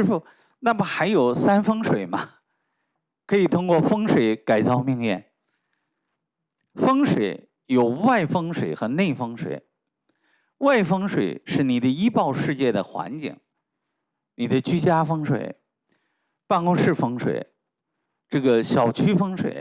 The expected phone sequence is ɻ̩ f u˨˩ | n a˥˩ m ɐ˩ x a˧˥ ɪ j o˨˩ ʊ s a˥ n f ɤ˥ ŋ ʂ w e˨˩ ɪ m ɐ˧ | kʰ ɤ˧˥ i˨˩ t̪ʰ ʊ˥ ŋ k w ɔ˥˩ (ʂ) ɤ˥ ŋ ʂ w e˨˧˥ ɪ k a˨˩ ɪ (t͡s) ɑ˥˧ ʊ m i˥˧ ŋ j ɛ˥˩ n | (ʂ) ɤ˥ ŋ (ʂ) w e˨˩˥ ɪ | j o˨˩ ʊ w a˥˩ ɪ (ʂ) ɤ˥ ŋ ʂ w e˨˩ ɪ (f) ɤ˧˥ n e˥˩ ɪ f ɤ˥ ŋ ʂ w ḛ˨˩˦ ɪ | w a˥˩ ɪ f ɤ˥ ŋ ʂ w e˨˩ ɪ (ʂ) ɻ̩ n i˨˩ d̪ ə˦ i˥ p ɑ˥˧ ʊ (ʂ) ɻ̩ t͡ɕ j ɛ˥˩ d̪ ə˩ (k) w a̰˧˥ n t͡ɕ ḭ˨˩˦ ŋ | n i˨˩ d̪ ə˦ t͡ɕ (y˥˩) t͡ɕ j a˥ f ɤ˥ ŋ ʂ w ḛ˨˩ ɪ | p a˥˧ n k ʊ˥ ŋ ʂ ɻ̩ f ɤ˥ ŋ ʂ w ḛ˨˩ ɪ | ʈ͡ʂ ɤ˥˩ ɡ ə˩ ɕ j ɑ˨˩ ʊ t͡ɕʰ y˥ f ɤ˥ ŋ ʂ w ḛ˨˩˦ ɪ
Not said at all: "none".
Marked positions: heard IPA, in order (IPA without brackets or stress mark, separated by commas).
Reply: f, t͡s, f, ʂ, f, x, ʂ, ʂ, x, y˥